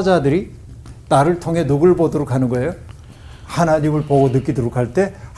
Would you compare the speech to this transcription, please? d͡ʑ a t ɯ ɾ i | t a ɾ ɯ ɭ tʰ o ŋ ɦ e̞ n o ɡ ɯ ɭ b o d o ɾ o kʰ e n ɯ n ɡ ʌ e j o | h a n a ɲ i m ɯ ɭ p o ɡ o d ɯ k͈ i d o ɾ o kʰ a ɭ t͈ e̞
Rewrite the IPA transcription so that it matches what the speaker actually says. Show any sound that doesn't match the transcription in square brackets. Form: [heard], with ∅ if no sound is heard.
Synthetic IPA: d͡ʑ a [d] ɯ ɾ i | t a ɾ ɯ ɭ tʰ o ŋ ɦ e̞ n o ɡ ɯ ɭ b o d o ɾ o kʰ [a] n ɯ n ɡ ʌ e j o | h a n a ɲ i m ɯ ɭ p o ɡ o [n] ɯ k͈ i d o ɾ o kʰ a ɭ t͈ e̞